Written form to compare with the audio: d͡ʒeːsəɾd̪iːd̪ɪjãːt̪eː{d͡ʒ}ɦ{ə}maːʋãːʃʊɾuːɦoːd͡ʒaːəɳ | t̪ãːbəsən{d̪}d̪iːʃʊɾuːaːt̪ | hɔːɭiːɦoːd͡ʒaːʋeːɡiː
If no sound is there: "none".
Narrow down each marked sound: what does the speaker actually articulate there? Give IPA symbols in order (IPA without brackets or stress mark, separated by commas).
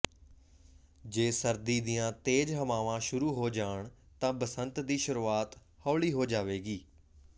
d͡ʒ, ə, t̪